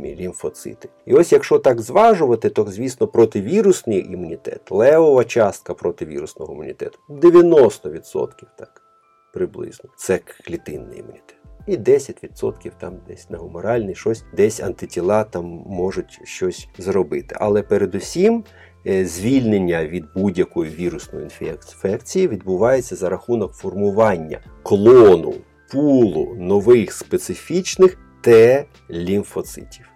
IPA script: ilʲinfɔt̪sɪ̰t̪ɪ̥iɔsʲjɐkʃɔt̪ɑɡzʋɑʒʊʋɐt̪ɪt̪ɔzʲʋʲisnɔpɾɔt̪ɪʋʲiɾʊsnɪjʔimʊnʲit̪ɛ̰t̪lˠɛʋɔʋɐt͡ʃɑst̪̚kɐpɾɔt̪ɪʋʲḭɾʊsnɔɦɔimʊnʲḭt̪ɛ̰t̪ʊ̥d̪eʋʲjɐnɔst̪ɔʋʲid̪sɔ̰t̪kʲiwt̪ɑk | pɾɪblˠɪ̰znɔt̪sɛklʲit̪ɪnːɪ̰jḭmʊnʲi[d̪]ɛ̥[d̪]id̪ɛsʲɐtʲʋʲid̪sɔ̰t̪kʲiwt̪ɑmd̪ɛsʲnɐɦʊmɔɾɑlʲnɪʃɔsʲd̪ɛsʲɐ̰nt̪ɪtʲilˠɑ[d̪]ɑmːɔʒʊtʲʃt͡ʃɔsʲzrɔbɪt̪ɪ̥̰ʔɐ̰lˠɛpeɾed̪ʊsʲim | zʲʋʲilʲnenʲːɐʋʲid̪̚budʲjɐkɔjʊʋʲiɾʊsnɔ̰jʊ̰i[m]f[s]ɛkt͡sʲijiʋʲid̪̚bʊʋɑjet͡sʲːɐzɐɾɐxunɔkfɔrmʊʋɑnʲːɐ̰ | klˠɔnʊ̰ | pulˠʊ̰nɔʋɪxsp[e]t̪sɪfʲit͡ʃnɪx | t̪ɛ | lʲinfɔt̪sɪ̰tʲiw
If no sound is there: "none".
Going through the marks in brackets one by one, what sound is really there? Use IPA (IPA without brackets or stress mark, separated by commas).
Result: t̪, t̪, t̪, n, f, e